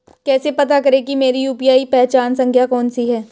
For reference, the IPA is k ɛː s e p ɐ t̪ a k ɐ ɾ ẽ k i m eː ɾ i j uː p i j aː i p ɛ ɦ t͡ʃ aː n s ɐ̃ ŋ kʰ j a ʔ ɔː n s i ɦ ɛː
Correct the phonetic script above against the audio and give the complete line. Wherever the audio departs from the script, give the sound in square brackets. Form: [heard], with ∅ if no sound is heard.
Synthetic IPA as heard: k ɛː s e p ɐ t̪ a k ɐ ɾ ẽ k i m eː ɾ i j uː p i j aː i p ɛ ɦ t͡ʃ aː n s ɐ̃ ŋ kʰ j a [k] ɔː n s i ɦ ɛː